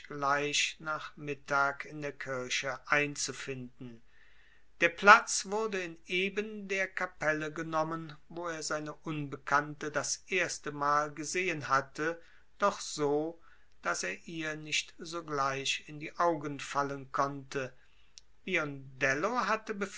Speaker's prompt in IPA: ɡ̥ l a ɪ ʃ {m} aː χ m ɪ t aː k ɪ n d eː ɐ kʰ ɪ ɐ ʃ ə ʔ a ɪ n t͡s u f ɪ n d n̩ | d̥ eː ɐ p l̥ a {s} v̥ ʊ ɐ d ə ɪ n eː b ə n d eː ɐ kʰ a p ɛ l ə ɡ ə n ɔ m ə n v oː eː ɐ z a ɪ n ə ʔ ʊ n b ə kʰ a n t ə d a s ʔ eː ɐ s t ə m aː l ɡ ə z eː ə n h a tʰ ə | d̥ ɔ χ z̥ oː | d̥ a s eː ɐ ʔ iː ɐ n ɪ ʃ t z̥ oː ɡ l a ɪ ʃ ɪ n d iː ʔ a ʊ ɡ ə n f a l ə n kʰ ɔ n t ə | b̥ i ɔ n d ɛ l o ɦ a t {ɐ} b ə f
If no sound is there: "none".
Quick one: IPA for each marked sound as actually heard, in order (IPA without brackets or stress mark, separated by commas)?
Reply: n, t͡s, ə